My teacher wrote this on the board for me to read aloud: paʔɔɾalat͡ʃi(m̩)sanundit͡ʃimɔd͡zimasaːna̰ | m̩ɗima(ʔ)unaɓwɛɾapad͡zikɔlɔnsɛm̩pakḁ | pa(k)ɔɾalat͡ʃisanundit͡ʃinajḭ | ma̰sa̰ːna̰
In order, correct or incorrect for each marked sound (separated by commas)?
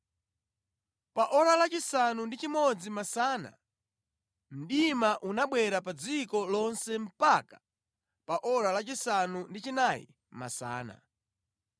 incorrect, correct, incorrect